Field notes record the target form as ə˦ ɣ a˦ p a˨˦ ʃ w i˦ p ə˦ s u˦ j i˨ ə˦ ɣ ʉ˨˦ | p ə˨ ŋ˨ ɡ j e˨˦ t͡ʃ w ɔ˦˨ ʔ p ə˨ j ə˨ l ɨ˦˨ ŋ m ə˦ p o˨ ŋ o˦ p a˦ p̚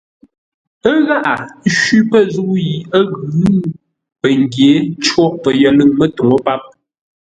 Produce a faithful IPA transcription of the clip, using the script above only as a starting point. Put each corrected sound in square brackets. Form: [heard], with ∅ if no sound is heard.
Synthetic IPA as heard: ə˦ ɣ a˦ [ʔ] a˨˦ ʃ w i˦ p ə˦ [z] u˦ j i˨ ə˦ ɣ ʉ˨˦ | p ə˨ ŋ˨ ɡ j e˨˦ t͡ʃ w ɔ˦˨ ʔ p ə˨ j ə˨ l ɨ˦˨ ŋ m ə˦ [t] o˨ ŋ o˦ p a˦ p̚

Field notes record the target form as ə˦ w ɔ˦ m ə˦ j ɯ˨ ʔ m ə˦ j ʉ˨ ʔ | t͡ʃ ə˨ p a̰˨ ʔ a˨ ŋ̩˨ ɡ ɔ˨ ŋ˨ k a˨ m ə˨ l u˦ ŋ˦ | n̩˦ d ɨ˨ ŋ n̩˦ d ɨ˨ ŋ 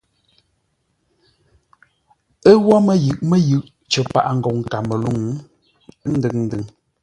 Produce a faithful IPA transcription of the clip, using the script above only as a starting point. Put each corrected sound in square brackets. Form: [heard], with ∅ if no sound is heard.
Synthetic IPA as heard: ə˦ w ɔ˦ m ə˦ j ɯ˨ ʔ m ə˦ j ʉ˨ ʔ | t͡ʃ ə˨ p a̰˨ ʔ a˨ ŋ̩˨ ɡ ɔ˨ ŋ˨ k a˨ m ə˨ l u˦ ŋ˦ | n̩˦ d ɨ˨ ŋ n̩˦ d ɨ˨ ŋ

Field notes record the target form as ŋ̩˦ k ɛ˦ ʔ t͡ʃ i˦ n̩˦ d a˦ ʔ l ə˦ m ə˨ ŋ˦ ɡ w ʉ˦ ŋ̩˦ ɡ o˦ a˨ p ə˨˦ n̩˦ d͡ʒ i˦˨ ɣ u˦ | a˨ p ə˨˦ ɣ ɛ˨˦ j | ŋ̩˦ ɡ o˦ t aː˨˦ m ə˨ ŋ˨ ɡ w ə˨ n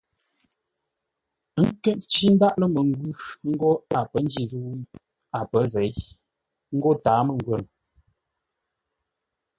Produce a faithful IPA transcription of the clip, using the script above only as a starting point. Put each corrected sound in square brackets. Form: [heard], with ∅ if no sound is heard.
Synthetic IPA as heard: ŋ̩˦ k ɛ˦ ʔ t͡ʃ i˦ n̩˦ d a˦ ʔ l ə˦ m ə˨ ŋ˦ ɡ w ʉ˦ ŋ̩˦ ɡ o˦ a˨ p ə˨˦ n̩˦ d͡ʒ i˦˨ [z] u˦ | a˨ p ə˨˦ [z] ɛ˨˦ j | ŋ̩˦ ɡ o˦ t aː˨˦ m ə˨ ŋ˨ ɡ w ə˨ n

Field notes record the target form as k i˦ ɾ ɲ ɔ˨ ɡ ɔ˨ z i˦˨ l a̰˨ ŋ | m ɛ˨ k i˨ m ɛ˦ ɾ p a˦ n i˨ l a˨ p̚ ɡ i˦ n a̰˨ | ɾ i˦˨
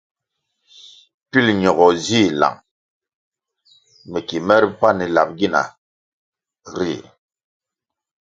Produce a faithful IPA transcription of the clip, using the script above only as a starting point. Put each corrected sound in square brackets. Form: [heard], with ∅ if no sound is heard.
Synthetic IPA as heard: [p] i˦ [l] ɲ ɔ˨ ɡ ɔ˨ z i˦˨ l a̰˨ ŋ | m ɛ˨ k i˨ m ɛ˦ ɾ p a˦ n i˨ l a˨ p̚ ɡ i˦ n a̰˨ | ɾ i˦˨

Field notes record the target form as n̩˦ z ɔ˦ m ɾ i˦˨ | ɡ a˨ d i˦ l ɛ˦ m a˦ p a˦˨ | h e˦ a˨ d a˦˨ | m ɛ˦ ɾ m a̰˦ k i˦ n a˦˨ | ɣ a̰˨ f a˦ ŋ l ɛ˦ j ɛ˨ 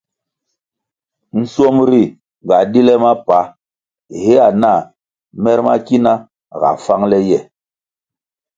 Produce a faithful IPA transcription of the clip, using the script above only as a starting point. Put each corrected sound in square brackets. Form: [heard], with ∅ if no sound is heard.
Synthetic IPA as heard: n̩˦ [s] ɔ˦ m ɾ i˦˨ | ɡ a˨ d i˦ l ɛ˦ m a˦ p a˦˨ | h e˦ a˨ [n] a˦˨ | m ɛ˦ ɾ m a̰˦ k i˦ n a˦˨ | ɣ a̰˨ f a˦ ŋ l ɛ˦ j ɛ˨

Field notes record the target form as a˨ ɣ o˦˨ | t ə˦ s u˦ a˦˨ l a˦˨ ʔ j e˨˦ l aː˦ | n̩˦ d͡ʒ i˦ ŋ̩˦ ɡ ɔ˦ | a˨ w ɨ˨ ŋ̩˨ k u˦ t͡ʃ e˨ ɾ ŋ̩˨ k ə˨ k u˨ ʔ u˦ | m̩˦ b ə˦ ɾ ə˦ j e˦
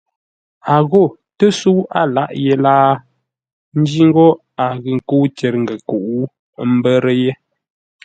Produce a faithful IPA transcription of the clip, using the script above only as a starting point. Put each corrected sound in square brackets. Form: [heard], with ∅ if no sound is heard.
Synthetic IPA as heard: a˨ ɣ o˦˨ | t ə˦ s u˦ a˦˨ l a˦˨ ʔ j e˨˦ l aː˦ | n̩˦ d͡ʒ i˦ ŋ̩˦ ɡ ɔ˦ | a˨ [ɣ] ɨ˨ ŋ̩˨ k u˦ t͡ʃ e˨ ɾ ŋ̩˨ [ɡ] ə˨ k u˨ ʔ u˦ | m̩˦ b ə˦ ɾ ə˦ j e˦

